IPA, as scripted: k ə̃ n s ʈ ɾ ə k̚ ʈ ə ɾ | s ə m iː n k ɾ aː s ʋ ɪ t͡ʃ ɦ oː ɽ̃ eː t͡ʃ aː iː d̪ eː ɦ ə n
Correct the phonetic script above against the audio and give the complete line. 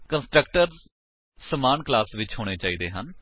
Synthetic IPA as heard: k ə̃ n s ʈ ɾ ə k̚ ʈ ə ɾ | s ə m aː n k l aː s ʋ ɪ t͡ʃ ɦ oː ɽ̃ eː t͡ʃ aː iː d̪ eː ɦ ə n